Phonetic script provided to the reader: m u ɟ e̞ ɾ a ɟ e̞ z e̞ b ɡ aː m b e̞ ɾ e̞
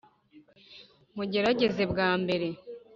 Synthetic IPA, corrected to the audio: m u ɟ e̞ ɾ a ɟ e̞ z e̞ b ɡ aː m b e̞ ɾ e̞